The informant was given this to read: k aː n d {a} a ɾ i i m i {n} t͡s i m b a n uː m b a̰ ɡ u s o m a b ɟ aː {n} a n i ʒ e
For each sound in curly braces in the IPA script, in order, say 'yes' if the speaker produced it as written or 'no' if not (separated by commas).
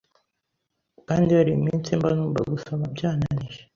no, yes, yes